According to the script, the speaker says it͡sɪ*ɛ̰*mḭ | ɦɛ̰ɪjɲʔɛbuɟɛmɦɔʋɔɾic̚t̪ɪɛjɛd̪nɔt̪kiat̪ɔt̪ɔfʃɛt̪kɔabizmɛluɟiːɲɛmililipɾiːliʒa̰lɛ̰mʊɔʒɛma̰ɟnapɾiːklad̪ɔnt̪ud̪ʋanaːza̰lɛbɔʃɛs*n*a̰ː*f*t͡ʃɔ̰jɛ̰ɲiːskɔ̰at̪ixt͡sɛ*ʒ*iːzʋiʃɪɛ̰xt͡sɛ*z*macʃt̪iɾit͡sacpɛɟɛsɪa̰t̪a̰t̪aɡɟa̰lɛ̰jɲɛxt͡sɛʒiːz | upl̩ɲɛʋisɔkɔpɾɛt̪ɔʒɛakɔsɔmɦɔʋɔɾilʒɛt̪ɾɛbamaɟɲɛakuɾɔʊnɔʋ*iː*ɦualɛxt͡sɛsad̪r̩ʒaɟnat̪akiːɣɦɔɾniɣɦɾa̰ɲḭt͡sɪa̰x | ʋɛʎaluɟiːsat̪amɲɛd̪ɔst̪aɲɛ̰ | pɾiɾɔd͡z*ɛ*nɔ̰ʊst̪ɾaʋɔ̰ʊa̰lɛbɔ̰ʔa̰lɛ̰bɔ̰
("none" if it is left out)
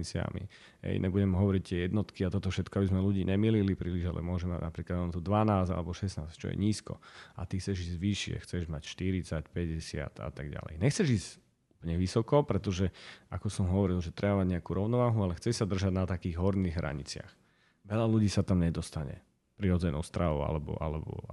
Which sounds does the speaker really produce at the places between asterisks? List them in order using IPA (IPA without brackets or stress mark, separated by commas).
a̰, n, s, ʒ, ʒ, aː, ɛ